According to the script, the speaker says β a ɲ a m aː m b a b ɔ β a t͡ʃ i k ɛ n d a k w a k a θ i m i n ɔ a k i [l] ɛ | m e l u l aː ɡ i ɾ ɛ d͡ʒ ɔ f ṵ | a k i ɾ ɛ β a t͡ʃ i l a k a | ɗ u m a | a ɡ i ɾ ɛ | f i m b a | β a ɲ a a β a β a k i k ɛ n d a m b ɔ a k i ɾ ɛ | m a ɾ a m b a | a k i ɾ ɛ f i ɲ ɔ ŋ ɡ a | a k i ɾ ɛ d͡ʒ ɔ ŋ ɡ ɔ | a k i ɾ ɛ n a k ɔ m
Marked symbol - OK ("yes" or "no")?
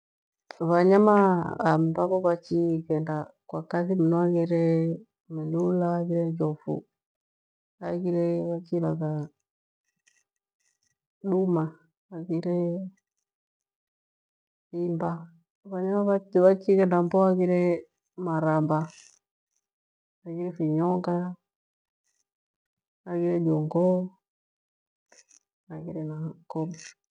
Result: no